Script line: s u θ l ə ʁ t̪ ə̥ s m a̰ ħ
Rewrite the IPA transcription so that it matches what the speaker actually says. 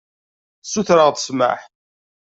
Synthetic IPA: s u θ ɾ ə ʁ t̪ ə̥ s m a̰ ħ